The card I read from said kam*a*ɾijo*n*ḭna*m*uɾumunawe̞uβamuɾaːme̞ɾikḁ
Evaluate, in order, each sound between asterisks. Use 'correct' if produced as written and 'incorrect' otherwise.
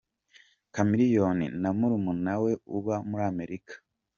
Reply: incorrect, correct, correct

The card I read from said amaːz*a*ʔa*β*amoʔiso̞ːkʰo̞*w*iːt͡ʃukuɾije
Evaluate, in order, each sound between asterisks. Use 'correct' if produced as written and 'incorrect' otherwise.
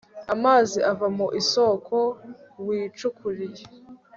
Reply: incorrect, incorrect, correct

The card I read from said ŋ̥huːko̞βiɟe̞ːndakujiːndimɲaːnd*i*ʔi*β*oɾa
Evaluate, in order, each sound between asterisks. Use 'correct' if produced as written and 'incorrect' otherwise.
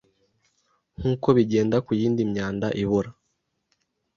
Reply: incorrect, correct

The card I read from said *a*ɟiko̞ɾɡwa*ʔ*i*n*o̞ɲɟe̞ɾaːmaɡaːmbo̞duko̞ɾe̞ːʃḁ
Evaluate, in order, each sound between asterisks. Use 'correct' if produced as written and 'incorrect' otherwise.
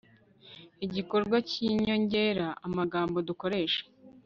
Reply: incorrect, incorrect, incorrect

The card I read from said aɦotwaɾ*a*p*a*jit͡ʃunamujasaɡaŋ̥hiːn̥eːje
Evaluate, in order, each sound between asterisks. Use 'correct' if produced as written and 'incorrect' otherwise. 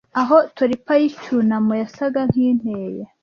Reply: incorrect, correct

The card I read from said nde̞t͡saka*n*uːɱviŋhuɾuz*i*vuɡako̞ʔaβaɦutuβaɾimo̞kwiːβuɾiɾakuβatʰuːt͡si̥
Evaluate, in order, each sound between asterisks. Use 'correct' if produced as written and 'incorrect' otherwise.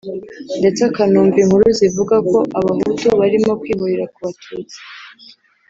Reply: correct, correct

